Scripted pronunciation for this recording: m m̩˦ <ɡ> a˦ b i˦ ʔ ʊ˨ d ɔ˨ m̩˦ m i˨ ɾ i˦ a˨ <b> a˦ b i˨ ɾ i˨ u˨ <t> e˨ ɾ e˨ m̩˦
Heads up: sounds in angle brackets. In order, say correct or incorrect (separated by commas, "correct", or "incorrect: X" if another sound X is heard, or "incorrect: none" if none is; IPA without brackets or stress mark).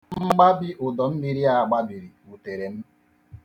incorrect: ɡ͡b, incorrect: ɡ͡b, correct